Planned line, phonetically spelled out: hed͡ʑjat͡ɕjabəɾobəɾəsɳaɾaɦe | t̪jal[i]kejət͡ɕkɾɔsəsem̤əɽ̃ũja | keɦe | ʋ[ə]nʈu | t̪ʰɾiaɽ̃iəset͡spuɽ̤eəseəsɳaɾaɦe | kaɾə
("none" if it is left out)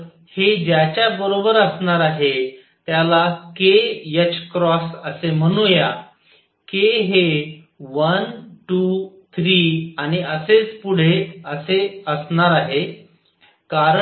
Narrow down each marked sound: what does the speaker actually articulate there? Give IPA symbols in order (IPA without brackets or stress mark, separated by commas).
a, ə